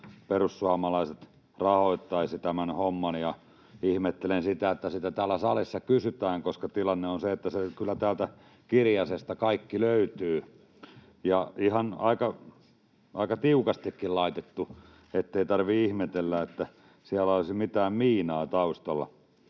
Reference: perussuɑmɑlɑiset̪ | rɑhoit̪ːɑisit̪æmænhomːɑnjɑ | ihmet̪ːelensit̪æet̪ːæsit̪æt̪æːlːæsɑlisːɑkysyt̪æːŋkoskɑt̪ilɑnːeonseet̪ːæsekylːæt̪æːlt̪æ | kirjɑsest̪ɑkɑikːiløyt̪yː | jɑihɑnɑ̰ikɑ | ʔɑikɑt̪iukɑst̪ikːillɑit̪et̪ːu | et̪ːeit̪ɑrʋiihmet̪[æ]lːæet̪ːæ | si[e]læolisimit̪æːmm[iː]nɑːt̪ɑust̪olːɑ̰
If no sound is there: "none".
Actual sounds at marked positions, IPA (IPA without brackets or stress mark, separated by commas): e, æ, iː